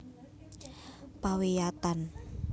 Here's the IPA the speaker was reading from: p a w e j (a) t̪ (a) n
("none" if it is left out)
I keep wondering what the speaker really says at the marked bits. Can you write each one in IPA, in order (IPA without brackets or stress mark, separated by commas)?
a, a